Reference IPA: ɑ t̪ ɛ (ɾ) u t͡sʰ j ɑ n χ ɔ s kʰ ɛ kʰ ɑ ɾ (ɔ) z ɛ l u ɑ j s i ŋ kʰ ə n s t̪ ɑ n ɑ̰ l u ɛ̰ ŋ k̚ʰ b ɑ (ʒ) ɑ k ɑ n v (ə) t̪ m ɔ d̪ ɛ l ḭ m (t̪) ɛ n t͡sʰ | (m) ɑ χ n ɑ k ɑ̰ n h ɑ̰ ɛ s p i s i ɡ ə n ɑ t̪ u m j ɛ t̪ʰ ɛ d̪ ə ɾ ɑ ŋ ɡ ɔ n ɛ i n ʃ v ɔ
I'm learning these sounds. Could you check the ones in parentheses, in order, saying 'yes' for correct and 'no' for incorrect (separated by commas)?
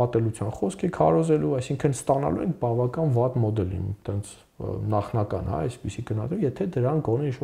no, yes, no, no, yes, no